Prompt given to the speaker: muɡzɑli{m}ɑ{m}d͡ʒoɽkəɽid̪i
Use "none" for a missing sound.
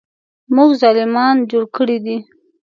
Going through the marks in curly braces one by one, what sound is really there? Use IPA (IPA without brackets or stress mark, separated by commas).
m, n